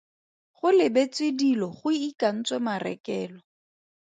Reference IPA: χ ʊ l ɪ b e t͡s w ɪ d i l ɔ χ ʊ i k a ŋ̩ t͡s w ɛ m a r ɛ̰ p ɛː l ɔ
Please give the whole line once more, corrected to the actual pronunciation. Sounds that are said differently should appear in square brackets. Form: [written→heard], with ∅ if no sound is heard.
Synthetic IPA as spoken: χ ʊ l ɪ b e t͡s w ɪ d i l ɔ χ ʊ i k a [ŋ̩→n̩] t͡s w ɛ m a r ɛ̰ [p→k] ɛː l ɔ